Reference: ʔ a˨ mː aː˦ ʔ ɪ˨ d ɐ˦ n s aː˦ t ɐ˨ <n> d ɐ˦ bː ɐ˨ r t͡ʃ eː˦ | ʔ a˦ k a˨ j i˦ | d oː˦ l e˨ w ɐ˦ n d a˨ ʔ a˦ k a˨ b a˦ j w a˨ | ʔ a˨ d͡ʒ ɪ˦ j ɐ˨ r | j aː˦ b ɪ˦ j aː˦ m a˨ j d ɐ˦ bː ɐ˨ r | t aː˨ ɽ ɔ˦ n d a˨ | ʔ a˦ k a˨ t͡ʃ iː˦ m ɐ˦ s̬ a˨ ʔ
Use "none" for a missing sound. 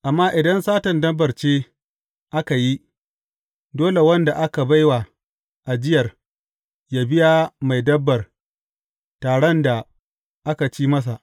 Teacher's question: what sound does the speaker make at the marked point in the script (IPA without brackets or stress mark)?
n